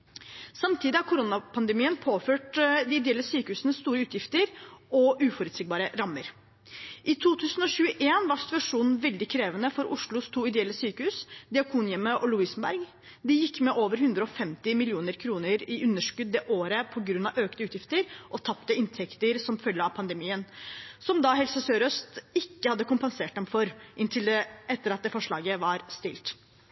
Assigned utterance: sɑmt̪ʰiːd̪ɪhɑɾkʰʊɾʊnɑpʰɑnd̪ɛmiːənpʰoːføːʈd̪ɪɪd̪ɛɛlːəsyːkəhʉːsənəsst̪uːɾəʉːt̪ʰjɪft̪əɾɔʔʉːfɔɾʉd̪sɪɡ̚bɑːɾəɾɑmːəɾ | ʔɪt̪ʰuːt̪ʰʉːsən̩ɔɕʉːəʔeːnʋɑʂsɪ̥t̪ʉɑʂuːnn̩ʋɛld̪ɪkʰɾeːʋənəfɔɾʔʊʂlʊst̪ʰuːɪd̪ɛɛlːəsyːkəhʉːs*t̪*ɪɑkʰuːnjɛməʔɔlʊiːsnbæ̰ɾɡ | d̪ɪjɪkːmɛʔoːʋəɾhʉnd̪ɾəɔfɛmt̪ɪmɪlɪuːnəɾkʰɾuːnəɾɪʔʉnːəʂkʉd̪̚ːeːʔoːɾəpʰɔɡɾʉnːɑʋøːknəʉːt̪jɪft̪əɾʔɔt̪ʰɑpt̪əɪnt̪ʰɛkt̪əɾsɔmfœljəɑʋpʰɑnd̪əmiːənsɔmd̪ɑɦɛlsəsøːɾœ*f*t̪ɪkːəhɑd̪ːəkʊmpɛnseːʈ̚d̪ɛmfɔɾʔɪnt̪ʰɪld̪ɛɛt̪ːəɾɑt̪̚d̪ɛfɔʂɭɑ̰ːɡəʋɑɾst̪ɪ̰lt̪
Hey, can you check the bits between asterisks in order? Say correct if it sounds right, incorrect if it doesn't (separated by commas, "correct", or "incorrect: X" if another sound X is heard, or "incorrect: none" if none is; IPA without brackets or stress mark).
incorrect: d̪, incorrect: s